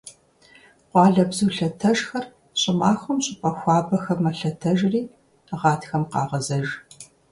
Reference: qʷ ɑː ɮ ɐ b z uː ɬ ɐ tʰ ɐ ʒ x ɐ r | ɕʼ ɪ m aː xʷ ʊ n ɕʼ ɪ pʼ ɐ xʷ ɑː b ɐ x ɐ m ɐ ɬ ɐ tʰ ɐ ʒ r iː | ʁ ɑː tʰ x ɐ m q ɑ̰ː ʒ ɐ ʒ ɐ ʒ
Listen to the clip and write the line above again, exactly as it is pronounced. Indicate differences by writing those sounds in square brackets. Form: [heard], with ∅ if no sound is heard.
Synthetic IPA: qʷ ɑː ɮ ɐ b z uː ɬ ɐ tʰ ɐ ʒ x ɐ r | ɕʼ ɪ m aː xʷ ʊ [m] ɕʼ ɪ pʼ ɐ xʷ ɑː b ɐ x ɐ m ɐ ɬ ɐ tʰ ɐ ʒ r iː | ʁ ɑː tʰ x ɐ m q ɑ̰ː [ʁ] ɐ [z] ɐ ʒ